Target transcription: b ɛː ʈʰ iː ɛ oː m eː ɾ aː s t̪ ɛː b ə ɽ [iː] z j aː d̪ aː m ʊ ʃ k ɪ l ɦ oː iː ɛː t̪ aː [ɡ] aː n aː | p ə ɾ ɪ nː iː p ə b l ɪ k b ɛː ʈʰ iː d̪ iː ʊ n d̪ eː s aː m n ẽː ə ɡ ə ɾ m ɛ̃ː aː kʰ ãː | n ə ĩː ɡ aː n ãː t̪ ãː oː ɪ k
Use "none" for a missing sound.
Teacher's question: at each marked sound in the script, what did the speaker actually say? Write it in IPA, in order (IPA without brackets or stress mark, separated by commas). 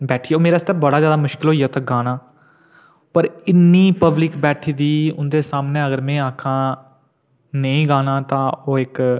aː, ɡ